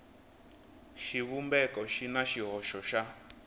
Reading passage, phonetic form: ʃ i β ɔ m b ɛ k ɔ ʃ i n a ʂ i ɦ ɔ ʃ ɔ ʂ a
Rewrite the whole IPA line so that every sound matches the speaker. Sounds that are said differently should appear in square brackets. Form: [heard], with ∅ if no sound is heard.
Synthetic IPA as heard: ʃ i β [u] m b ɛ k ɔ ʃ i n a [ʃ] i ɦ ɔ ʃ ɔ [ʃ] a